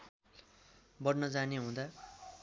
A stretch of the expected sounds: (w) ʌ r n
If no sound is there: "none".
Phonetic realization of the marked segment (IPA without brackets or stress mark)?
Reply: b